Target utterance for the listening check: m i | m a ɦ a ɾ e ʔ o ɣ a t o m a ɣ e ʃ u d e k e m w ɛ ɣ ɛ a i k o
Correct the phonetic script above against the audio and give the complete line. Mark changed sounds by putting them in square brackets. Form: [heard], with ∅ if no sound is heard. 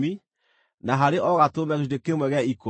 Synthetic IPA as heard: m i | [n] a ɦ a ɾ e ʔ [ɔ] ɣ a t o m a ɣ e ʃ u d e k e m w ɛ ɣ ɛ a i k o